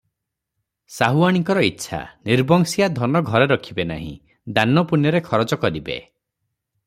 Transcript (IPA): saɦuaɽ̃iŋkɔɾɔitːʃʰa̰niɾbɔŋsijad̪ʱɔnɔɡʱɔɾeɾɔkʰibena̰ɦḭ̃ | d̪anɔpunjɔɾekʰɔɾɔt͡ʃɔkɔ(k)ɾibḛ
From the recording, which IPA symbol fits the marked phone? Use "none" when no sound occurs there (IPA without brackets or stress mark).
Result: none